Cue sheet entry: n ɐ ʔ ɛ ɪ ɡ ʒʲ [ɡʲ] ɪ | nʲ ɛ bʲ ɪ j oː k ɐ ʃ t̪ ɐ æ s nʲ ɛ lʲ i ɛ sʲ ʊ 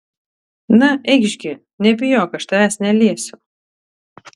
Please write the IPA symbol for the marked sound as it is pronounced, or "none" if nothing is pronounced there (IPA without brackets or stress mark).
ɡʲ